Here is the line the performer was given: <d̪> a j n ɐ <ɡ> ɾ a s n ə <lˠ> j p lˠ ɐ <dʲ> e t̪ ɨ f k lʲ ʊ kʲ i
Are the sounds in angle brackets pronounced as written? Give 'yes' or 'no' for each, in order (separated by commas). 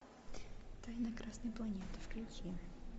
no, no, no, no